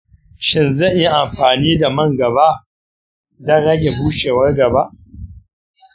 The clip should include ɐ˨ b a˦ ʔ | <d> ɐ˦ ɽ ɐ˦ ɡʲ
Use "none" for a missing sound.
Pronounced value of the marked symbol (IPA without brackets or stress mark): d